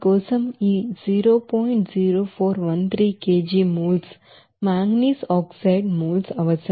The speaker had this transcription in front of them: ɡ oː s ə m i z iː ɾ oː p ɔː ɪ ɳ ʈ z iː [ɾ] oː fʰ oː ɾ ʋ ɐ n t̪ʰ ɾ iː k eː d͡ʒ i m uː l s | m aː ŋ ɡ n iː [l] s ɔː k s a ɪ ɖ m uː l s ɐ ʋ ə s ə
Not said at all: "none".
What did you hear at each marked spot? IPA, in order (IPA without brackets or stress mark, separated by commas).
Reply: ɾ, none